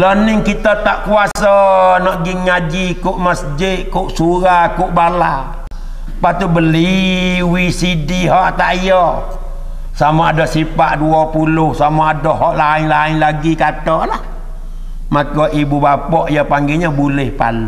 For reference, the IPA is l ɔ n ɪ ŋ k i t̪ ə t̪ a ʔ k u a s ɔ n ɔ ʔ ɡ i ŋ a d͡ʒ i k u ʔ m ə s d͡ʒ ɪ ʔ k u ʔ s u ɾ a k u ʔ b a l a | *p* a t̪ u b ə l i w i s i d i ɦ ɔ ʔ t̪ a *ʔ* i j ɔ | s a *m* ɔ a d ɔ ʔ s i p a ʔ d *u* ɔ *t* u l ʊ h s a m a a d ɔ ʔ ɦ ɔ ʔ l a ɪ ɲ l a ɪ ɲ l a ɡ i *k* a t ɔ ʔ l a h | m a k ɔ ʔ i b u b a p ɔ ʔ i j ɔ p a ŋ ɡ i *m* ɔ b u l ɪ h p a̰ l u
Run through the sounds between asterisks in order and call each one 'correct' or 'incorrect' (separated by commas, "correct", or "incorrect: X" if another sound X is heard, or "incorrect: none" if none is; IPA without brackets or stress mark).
correct, correct, correct, correct, incorrect: p, correct, incorrect: ɲ